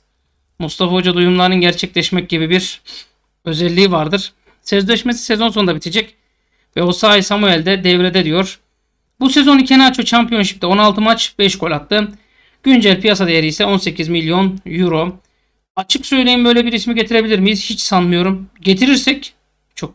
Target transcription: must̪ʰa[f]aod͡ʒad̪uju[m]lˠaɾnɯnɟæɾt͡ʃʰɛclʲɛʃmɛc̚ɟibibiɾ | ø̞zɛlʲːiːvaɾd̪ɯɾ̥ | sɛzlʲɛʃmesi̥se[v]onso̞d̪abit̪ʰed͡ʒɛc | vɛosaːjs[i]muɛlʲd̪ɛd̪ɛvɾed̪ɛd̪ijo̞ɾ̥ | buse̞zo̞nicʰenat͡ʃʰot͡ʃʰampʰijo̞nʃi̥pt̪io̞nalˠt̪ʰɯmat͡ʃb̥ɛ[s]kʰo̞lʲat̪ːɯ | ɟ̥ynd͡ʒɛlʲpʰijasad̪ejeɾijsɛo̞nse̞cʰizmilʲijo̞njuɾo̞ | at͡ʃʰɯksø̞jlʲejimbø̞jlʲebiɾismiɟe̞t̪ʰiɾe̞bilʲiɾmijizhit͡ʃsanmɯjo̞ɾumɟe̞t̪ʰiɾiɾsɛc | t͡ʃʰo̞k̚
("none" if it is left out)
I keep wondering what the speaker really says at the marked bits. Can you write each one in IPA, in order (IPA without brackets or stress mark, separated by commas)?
f, m, z, a, ʃ